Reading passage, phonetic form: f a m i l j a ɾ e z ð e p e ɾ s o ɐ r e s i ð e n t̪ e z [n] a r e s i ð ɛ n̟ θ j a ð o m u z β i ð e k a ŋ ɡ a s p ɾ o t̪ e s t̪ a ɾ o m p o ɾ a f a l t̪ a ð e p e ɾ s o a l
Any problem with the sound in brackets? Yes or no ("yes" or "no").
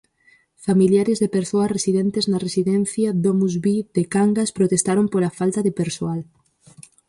no